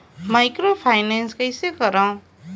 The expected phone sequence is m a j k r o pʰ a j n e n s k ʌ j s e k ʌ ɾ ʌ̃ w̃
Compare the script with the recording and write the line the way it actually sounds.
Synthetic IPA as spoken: m a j k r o pʰ a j n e n s k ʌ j s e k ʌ ɾ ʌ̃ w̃